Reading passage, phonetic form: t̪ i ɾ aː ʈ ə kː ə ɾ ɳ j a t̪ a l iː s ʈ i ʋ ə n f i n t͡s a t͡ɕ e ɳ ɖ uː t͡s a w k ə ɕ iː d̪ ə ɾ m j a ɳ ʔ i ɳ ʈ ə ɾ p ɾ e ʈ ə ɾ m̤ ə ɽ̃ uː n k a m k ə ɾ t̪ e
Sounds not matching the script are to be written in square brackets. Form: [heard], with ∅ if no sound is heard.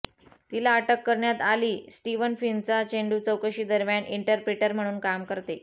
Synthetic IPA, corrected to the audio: t̪ i [l] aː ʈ ə kː ə ɾ ɳ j a t̪ a l iː s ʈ i ʋ ə n f i n t͡s a t͡ɕ e ɳ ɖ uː t͡s [ə] w k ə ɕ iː d̪ ə ɾ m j a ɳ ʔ i ɳ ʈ ə ɾ p ɾ e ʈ ə ɾ m̤ ə ɽ̃ uː n k a m k ə ɾ t̪ e